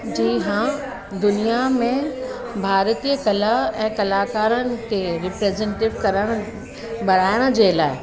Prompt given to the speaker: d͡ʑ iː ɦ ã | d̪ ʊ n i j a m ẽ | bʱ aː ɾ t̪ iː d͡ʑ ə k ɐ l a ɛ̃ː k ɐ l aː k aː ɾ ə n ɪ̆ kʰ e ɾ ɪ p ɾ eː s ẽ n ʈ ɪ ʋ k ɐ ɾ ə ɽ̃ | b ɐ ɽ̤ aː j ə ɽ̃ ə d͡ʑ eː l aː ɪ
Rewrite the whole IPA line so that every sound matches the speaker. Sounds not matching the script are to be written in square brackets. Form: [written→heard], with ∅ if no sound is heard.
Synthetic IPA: d͡ʑ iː ɦ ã | d̪ ʊ n i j a m ẽ | bʱ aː ɾ t̪ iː [d͡ʑ→∅] ə k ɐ l a ɛ̃ː k ɐ l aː k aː ɾ ə n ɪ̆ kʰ e ɾ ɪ p ɾ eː [s→z] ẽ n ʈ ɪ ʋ k ɐ ɾ ə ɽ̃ | b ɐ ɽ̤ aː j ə ɽ̃ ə d͡ʑ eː l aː ɪ